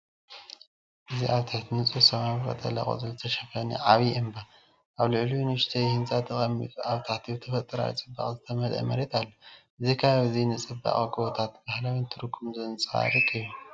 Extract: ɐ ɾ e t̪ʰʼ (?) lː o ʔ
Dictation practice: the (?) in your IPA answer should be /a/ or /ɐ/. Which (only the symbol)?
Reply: a